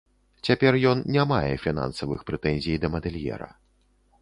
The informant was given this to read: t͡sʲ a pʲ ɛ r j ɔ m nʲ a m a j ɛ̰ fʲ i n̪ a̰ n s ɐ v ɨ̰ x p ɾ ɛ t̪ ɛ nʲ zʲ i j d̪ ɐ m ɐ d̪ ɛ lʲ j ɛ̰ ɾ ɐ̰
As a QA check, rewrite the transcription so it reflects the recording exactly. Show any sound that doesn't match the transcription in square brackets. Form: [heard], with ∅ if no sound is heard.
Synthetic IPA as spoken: t͡sʲ a pʲ ɛ r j ɔ [n] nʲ a m a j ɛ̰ fʲ i n̪ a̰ n s ɐ v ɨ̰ x p ɾ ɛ t̪ ɛ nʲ zʲ i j d̪ ɐ m ɐ d̪ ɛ lʲ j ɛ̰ ɾ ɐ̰

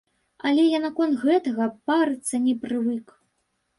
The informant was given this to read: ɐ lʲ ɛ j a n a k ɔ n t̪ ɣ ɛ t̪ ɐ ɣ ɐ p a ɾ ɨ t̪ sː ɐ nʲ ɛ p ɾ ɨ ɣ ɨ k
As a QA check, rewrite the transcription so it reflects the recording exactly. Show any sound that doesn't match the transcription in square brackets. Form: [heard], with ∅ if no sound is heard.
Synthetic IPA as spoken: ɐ lʲ ɛ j a n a k ɔ n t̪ ɣ ɛ t̪ ɐ ɣ ɐ p a ɾ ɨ t̪ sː ɐ nʲ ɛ p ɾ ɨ [v] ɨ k

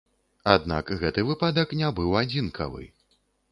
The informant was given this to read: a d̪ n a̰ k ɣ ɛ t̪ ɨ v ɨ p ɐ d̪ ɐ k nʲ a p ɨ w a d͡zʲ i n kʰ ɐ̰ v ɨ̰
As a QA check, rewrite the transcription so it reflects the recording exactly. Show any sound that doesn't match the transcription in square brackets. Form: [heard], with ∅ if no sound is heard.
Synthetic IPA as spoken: a d̪ n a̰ k ɣ ɛ t̪ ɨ v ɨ p [a] d̪ ɐ k nʲ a [b] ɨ w a d͡zʲ i n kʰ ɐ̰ v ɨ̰

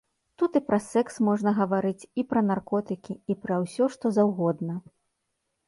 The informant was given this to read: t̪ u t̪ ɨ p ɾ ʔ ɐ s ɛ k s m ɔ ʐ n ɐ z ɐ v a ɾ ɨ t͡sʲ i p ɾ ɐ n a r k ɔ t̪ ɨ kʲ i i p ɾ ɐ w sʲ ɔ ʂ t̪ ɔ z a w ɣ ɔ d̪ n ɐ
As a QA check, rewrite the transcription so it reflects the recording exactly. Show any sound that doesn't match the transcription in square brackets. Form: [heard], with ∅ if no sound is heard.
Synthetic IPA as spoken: t̪ u t̪ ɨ p ɾ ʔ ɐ s ɛ k s m ɔ ʐ n ɐ [ɣ] ɐ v a ɾ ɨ t͡sʲ i p ɾ ɐ n a r k ɔ t̪ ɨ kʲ i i p ɾ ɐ w sʲ ɔ ʂ t̪ ɔ z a w ɣ ɔ d̪ n ɐ

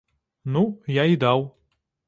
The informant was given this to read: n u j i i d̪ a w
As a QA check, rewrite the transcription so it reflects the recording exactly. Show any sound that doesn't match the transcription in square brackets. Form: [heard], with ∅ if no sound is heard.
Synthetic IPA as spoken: n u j [a] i d̪ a w

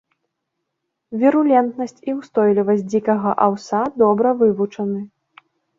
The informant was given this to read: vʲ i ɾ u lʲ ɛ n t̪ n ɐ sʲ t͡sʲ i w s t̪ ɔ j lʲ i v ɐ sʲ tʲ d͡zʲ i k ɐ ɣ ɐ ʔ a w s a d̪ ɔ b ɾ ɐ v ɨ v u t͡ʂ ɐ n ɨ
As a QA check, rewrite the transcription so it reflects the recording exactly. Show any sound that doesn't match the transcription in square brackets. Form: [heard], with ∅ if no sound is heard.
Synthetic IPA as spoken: vʲ i ɾ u lʲ ɛ n t̪ n ɐ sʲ t͡sʲ i w s t̪ ɔ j lʲ i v ɐ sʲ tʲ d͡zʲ i k ɐ ɣ ɐ ʔ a w s a d̪ ɔ b ɾ ɐ v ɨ v u t͡ʂ ɐ n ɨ

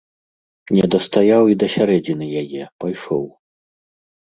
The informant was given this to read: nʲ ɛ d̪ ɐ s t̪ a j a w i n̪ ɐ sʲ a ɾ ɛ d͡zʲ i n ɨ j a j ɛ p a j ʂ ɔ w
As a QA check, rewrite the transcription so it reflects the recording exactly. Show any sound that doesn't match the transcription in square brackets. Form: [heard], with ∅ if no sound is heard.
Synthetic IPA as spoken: nʲ ɛ d̪ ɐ s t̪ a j a w i [d̪] ɐ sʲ a ɾ ɛ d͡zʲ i n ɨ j a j ɛ p a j ʂ ɔ w

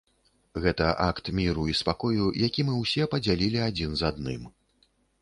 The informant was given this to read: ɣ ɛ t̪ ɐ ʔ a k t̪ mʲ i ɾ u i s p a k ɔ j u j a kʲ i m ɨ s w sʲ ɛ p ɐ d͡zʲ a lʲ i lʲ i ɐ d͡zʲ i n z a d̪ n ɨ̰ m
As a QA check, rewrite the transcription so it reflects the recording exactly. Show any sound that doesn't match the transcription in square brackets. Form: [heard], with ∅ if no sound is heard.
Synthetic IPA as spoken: ɣ ɛ t̪ ɐ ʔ a k t̪ mʲ i ɾ u i s p a k ɔ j u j a kʲ i m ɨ [∅] w sʲ ɛ p ɐ d͡zʲ a lʲ i lʲ i [a] d͡zʲ i n z a d̪ n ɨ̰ m

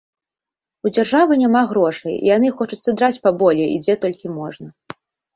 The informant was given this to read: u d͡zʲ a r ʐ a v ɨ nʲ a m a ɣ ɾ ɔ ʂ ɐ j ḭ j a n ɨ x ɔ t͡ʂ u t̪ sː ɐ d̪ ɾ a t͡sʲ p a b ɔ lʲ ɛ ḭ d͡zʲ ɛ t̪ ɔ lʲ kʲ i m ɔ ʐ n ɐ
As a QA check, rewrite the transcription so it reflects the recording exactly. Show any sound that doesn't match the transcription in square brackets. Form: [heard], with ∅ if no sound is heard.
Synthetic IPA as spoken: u d͡zʲ a r ʐ a v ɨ nʲ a m a ɣ ɾ ɔ ʂ ɐ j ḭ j a n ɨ x ɔ t͡ʂ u t̪ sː ɐ d̪ ɾ a t͡sʲ p a b ɔ lʲ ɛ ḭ d͡zʲ ɛ t̪ ɔ lʲ kʲ i m ɔ ʐ n ɐ

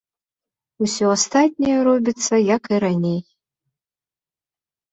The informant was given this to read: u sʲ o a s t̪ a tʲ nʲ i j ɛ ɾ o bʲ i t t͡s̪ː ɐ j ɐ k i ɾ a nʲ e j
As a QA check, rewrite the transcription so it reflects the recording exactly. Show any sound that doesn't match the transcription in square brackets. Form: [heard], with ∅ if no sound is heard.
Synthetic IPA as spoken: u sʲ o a s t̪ a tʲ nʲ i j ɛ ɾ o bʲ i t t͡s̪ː ɐ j [a] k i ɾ a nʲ e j

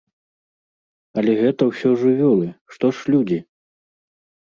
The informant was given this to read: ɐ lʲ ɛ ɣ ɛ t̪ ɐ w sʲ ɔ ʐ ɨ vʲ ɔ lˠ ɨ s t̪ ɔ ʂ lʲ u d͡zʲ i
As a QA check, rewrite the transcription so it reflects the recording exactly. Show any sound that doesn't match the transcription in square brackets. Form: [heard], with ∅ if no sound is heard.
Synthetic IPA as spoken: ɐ lʲ ɛ ɣ ɛ t̪ ɐ w sʲ ɔ ʐ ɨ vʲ ɔ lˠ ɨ [ʂ] t̪ ɔ ʂ lʲ u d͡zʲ i

